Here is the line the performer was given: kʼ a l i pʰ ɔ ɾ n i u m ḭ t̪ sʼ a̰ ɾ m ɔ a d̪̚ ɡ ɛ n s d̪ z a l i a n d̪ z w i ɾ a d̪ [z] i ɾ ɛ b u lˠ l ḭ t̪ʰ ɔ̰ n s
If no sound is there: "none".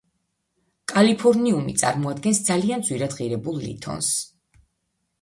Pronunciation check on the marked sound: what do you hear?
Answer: ʁ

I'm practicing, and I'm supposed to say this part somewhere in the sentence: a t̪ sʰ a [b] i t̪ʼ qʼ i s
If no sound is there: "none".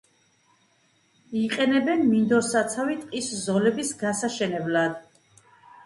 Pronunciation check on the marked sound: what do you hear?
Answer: v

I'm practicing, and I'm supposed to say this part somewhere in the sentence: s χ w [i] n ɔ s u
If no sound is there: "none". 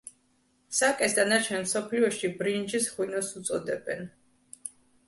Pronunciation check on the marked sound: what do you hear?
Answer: i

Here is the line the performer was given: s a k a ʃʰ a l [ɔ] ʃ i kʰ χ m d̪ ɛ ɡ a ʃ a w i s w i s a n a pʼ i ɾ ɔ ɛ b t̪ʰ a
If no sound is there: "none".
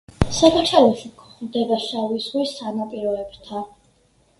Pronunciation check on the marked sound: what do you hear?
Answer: ɔ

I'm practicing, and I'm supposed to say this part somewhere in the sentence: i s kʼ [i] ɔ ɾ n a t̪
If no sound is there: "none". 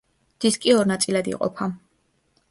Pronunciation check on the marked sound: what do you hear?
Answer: i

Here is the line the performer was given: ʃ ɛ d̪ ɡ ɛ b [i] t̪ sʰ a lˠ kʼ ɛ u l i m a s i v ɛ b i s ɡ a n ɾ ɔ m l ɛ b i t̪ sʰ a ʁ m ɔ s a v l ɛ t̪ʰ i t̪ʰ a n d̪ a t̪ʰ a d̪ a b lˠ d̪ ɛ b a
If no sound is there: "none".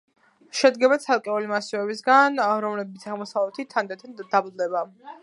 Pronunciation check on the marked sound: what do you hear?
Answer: a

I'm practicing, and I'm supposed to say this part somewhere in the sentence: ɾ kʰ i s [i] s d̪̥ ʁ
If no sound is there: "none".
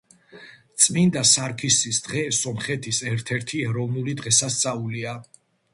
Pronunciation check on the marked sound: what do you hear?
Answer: i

